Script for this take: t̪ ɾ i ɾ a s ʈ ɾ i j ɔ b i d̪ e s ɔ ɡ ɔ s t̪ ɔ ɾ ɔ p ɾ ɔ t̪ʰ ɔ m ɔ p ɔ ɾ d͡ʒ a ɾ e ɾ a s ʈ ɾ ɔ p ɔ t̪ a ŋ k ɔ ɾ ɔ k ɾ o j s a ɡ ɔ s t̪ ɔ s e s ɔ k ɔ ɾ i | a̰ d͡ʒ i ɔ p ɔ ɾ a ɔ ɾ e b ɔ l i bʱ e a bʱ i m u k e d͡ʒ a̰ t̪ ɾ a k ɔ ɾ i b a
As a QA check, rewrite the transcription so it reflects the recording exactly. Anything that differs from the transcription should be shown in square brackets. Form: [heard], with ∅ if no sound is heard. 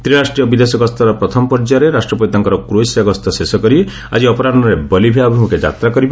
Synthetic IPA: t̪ ɾ i ɾ a s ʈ ɾ i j ɔ b i d̪ e s ɔ ɡ ɔ s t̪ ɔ ɾ ɔ p ɾ ɔ t̪ʰ ɔ m ɔ p ɔ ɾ d͡ʒ a ɾ e ɾ a s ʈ ɾ ɔ p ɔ t̪ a ŋ k ɔ ɾ ɔ k ɾ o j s a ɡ ɔ s t̪ ɔ s e s ɔ k ɔ ɾ i | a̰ d͡ʒ i ɔ p ɔ ɾ a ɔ ɾ e b ɔ l i bʱ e a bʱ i m u k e d͡ʒ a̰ t̪ ɾ a k ɔ ɾ i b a